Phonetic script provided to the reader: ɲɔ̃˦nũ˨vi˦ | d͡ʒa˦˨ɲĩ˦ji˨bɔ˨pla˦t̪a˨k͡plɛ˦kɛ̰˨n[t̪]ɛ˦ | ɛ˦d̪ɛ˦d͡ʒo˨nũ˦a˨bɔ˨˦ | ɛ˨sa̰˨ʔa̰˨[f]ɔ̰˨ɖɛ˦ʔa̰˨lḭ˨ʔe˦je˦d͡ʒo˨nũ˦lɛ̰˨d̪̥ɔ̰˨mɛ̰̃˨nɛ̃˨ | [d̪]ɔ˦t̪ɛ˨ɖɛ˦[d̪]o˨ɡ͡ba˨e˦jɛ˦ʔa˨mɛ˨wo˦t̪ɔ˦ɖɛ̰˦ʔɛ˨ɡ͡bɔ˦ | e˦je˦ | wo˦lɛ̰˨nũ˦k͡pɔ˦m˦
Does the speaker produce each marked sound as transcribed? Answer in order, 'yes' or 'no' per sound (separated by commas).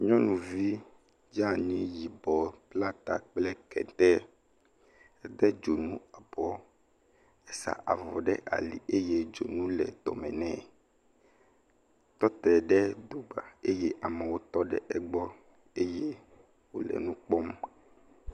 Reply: yes, no, no, yes